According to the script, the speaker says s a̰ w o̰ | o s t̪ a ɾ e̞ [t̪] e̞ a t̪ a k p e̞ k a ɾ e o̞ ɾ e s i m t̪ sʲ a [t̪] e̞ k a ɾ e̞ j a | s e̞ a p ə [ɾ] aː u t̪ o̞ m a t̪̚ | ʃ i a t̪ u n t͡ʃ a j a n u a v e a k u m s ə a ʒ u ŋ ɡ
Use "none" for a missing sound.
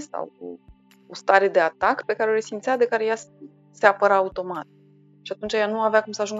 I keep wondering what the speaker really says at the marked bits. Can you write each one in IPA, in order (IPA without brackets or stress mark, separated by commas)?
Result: d̪, d̪, ɾ